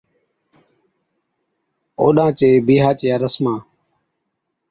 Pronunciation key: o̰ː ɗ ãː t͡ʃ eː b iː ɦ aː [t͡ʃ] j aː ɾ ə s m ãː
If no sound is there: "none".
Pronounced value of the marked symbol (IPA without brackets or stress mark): t͡ʃ